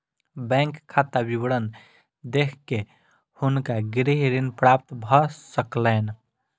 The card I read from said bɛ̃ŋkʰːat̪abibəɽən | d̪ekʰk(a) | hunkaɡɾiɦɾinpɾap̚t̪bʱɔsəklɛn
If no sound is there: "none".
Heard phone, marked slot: e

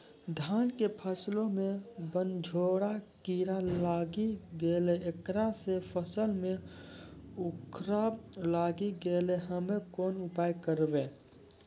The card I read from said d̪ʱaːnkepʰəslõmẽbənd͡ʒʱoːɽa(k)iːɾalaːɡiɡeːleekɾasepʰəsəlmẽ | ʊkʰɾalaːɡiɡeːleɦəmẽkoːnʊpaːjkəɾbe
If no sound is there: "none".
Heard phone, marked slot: k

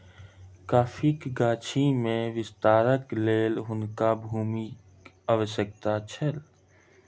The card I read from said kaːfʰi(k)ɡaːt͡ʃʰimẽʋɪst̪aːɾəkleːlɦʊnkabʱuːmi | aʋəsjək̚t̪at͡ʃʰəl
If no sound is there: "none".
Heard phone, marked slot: k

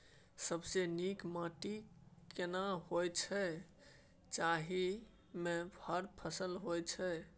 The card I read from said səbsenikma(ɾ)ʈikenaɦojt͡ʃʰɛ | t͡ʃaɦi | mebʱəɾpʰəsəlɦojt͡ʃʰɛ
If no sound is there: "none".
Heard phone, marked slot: none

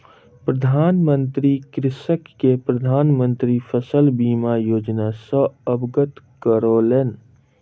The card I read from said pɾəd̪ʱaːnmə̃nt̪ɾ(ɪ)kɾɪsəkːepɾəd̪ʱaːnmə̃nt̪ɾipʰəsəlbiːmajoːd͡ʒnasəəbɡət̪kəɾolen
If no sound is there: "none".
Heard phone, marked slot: i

